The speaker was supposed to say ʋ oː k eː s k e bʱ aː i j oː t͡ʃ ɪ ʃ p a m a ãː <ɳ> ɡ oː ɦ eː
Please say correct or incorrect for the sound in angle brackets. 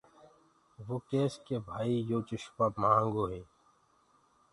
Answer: incorrect